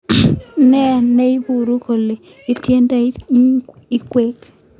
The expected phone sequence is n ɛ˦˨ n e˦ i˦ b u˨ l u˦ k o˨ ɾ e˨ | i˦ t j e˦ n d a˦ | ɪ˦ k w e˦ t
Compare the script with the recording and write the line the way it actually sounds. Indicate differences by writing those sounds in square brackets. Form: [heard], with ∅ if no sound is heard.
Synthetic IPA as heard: n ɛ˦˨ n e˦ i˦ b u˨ [ɾ] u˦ k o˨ [l] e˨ | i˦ t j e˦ n d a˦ | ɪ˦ k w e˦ [k]